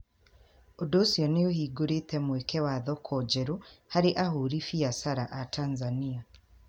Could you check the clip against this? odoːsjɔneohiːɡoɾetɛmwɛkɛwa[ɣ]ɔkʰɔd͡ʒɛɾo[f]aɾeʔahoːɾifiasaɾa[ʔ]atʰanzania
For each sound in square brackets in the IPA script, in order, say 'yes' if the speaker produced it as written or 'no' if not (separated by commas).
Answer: no, no, yes